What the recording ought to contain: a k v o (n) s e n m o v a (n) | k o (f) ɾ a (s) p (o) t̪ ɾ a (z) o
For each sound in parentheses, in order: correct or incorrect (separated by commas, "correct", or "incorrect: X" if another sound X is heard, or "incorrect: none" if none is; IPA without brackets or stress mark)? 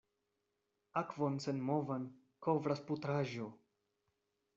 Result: correct, correct, incorrect: v, correct, incorrect: u, incorrect: ʒ